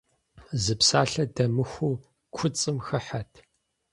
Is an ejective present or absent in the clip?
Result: present